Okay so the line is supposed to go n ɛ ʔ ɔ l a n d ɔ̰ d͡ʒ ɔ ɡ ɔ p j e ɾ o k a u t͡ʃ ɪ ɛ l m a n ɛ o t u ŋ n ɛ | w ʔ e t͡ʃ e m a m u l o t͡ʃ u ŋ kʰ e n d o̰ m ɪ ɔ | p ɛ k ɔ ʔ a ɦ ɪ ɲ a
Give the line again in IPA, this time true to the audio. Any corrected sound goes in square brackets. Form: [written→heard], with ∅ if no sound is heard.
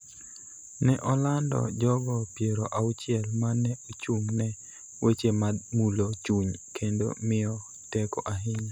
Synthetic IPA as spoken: n ɛ ʔ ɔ l a n d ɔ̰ d͡ʒ ɔ ɡ ɔ p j e ɾ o [k→ʔ] a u t͡ʃ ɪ ɛ l m a n ɛ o [t→t͡ʃ] u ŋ n ɛ | w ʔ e t͡ʃ e m a m u l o t͡ʃ u [ŋ→ɲ] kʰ e n d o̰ m ɪ ɔ | [p→t] ɛ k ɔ ʔ a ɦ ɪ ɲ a